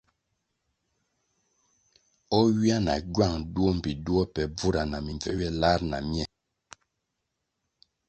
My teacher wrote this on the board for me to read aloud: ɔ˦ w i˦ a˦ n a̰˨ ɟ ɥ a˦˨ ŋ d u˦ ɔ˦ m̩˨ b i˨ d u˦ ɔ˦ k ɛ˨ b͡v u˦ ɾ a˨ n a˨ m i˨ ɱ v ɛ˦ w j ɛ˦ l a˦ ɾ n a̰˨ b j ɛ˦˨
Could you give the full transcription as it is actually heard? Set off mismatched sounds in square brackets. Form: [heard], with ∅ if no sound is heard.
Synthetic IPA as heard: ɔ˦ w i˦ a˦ n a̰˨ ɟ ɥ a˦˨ ŋ d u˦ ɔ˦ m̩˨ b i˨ d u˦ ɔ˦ [p] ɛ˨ b͡v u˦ ɾ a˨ n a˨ m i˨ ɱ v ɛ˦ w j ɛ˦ l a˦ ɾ n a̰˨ [m] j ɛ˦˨